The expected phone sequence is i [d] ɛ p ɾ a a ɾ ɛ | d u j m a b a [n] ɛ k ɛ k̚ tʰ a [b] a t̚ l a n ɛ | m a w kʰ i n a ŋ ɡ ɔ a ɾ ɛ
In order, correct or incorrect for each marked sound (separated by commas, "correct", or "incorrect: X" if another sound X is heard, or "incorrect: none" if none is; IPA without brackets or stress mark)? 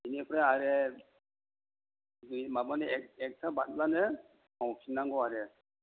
incorrect: n, correct, correct